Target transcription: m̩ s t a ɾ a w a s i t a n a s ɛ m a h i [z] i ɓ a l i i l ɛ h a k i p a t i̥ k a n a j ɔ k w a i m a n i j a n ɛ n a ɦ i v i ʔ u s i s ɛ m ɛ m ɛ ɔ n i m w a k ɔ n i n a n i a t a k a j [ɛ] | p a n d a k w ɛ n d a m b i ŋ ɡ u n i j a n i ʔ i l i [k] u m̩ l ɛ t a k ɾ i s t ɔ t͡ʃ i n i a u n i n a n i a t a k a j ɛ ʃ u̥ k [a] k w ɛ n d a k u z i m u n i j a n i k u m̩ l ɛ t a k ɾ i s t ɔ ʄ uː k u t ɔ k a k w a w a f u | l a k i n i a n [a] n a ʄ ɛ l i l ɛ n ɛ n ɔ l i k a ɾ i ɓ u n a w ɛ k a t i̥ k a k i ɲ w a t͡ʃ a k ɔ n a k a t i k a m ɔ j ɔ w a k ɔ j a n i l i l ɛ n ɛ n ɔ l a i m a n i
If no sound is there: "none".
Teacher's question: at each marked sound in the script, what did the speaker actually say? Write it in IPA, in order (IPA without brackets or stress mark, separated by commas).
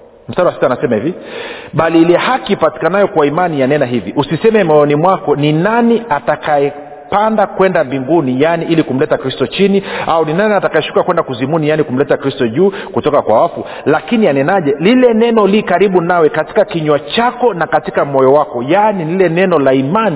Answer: v, ɛ, k, a, ɛ